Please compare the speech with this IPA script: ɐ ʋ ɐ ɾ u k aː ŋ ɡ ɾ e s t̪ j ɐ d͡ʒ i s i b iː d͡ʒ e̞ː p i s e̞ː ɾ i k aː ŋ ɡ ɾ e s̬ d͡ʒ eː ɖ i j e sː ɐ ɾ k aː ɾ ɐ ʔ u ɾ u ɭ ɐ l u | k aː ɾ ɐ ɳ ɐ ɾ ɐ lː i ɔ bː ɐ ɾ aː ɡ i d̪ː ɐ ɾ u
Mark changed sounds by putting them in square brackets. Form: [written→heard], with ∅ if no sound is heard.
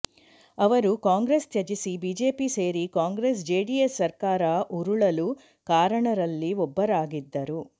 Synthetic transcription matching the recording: ɐ ʋ ɐ ɾ u k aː ŋ ɡ ɾ e s t̪ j ɐ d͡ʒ i s i b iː d͡ʒ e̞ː p i s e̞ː ɾ i k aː ŋ ɡ ɾ e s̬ d͡ʒ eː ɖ i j e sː ɐ ɾ k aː ɾ ɐ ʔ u ɾ u ɭ ɐ l u | k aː ɾ ɐ ɳ ɐ ɾ ɐ lː i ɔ bː ɐ ɾ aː ɡ i d̪ː ɐ ɾ u

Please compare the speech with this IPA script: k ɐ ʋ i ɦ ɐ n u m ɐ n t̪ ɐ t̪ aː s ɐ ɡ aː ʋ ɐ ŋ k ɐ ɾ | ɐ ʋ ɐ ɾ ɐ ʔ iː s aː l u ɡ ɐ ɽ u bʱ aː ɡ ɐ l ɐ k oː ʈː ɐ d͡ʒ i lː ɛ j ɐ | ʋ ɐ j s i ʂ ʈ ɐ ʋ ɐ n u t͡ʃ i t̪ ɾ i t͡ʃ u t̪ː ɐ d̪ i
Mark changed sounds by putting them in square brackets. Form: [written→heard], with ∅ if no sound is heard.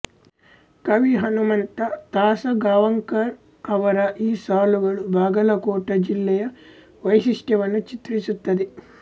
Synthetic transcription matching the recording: k ɐ ʋ i ɦ ɐ n u m ɐ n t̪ ɐ t̪ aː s ɐ ɡ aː ʋ ɐ ŋ k ɐ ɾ | ɐ ʋ ɐ ɾ ɐ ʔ iː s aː l u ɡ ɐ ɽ u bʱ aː ɡ ɐ l ɐ k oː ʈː ɐ d͡ʒ i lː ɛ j ɐ | ʋ ɐ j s i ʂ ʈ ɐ ʋ ɐ n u t͡ʃ i t̪ ɾ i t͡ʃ u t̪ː ɐ d̪ i

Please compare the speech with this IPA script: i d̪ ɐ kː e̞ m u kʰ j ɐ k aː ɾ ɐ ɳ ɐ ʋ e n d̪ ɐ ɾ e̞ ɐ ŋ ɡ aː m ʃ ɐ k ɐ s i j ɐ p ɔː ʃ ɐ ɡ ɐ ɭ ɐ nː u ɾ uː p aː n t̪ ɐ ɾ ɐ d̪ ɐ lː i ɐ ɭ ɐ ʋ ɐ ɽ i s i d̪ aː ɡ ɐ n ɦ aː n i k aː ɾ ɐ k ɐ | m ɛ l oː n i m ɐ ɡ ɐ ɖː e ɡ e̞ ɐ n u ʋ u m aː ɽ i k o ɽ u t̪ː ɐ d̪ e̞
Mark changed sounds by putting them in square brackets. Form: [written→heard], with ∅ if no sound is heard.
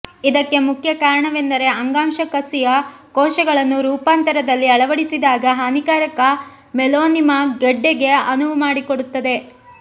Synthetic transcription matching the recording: i d̪ ɐ kː e̞ m u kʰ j ɐ k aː ɾ ɐ ɳ ɐ ʋ e n d̪ ɐ ɾ e̞ ɐ ŋ ɡ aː m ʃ ɐ k ɐ s i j ɐ [p→k] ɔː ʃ ɐ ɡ ɐ ɭ ɐ nː u ɾ uː p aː n t̪ ɐ ɾ ɐ d̪ ɐ lː i ɐ ɭ ɐ ʋ ɐ ɽ i s i d̪ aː ɡ ɐ [n→∅] ɦ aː n i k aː ɾ ɐ k ɐ | m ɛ l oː n i m ɐ ɡ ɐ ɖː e ɡ e̞ ɐ n u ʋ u m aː ɽ i k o ɽ u t̪ː ɐ d̪ e̞

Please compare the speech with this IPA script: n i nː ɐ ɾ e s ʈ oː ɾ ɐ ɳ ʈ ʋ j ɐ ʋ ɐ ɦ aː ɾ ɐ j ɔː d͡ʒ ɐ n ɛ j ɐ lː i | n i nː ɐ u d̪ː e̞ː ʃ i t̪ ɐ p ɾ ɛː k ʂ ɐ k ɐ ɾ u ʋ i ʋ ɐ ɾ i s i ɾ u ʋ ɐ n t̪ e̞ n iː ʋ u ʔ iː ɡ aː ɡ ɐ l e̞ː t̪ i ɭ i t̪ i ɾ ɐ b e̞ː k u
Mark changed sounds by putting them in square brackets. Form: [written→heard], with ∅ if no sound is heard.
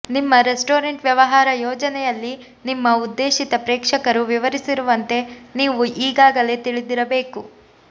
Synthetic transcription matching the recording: n i [nː→mː] ɐ ɾ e s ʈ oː ɾ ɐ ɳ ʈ ʋ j ɐ ʋ ɐ ɦ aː ɾ ɐ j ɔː d͡ʒ ɐ n ɛ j ɐ lː i | n i [nː→mː] ɐ u d̪ː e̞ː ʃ i t̪ ɐ p ɾ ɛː k ʂ ɐ k ɐ ɾ u ʋ i ʋ ɐ ɾ i s i ɾ u ʋ ɐ n t̪ e̞ n iː ʋ u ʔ iː ɡ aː ɡ ɐ l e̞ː t̪ i ɭ i [t̪→d̪] i ɾ ɐ b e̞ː k u

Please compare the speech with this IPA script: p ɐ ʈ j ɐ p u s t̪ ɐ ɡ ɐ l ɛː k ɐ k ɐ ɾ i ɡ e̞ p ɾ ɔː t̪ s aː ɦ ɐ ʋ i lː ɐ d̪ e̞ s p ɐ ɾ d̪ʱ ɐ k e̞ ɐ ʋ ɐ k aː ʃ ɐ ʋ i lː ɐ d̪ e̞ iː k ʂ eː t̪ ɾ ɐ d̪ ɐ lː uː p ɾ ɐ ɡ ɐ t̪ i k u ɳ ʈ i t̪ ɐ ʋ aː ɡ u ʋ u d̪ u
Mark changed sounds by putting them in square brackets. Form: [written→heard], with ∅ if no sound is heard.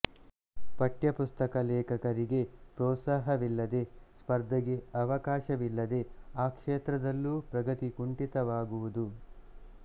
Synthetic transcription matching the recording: p ɐ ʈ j ɐ p u s t̪ ɐ [ɡ→k] ɐ l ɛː k ɐ k ɐ ɾ i ɡ e̞ p ɾ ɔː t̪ s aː ɦ ɐ ʋ i lː ɐ d̪ e̞ s p ɐ ɾ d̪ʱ ɐ [k→ɡ] e̞ ɐ ʋ ɐ k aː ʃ ɐ ʋ i lː ɐ d̪ e̞ [iː→aː] k ʂ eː t̪ ɾ ɐ d̪ ɐ lː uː p ɾ ɐ ɡ ɐ t̪ i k u ɳ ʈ i t̪ ɐ ʋ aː ɡ u ʋ u d̪ u

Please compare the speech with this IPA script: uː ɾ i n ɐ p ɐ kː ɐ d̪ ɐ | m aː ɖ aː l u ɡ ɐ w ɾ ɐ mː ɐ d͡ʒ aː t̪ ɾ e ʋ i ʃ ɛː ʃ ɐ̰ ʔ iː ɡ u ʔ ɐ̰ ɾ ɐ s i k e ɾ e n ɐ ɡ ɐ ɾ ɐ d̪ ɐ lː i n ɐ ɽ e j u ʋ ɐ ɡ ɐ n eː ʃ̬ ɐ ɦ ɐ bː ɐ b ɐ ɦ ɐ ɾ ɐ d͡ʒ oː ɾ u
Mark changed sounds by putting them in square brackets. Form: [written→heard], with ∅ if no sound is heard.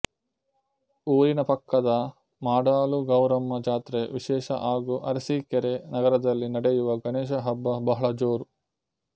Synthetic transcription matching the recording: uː ɾ i n ɐ p ɐ kː ɐ d̪ ɐ | m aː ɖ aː l u ɡ ɐ w ɾ ɐ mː ɐ d͡ʒ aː t̪ ɾ e ʋ i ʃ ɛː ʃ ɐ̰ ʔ [iː→aː] ɡ u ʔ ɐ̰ ɾ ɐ s i k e ɾ e n ɐ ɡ ɐ ɾ ɐ d̪ ɐ lː i n ɐ ɽ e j u ʋ ɐ ɡ ɐ n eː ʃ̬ ɐ ɦ ɐ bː ɐ b ɐ ɦ ɐ [ɾ→ɭ] ɐ d͡ʒ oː ɾ u

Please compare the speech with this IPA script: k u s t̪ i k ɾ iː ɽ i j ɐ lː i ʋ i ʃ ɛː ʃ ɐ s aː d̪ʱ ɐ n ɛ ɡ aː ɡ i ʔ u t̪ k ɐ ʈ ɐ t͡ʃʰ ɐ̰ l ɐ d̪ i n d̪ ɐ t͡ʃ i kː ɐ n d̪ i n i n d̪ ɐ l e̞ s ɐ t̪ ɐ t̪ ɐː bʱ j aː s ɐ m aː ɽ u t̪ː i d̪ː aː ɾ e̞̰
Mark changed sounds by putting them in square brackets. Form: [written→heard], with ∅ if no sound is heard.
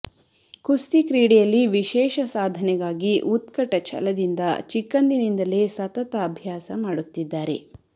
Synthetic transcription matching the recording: k u s t̪ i k ɾ iː ɽ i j ɐ lː i ʋ i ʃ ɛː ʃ ɐ s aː d̪ʱ ɐ n ɛ ɡ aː ɡ i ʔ u t̪ k ɐ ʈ ɐ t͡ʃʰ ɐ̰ l ɐ d̪ i n d̪ ɐ t͡ʃ i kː ɐ n d̪ i n i n d̪ ɐ l e̞ s ɐ t̪ ɐ t̪ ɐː bʱ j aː s ɐ m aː ɽ u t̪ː i d̪ː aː ɾ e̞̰

